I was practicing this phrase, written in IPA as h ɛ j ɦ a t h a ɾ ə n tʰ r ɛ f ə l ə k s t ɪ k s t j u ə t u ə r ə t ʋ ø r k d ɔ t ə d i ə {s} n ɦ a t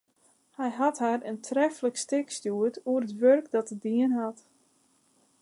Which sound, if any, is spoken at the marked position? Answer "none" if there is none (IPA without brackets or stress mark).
none